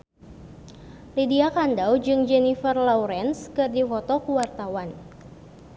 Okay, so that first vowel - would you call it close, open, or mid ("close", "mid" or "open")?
close